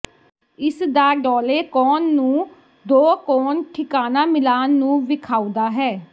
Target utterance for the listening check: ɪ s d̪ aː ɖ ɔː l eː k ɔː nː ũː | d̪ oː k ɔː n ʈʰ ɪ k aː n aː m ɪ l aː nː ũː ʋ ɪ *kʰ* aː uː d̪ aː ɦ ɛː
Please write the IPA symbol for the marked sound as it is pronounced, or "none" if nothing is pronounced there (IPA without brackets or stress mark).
kʰ